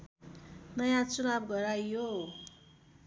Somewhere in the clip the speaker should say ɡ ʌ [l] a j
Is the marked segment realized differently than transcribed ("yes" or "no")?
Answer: yes